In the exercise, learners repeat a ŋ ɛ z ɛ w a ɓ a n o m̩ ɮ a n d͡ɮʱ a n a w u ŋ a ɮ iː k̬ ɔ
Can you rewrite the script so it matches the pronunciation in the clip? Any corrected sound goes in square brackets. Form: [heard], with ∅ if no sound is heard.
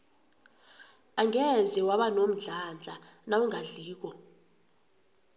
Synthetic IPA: a ŋ ɛ z ɛ w a ɓ a n o m̩ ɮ a n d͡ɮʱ a n a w u ŋ a ɮ iː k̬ ɔ